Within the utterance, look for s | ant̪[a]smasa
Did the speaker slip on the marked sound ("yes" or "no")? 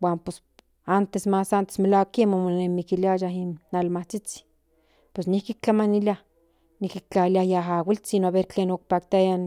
yes